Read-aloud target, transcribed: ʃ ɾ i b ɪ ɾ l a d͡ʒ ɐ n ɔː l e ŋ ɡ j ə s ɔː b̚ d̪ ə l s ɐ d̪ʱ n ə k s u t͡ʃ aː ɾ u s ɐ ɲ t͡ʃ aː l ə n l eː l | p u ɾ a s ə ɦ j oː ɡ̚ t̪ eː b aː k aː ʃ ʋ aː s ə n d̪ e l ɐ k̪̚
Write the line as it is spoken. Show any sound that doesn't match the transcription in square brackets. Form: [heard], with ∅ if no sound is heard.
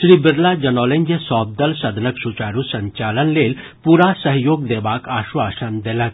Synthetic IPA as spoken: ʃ ɾ i b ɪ ɾ l a d͡ʒ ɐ n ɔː l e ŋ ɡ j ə s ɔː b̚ d̪ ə l s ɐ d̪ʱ n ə k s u t͡ʃ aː ɾ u s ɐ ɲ t͡ʃ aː l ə n l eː l | p u ɾ a s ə ɦ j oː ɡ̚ [d̪] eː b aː k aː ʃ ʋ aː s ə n d̪ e l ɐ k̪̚